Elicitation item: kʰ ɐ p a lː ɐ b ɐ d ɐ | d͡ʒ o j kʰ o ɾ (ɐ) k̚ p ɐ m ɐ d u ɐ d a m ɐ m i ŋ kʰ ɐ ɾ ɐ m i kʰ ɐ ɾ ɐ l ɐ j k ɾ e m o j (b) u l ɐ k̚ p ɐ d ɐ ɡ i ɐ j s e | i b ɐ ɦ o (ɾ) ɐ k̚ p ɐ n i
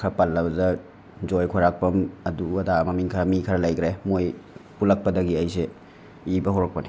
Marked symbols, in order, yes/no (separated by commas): no, no, yes